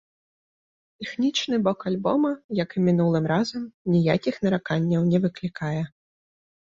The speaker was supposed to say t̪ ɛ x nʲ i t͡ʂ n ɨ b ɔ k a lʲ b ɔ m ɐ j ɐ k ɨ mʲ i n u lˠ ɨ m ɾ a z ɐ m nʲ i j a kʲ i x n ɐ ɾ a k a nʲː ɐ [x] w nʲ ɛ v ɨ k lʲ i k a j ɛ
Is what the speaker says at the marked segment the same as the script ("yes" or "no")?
no